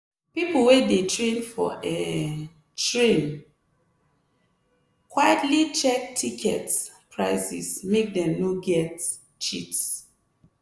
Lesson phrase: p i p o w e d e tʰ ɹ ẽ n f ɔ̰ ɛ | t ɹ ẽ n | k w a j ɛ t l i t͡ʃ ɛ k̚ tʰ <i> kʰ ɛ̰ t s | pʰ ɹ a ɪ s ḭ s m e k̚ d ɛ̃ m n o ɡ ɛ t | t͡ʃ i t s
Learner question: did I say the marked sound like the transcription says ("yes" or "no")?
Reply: yes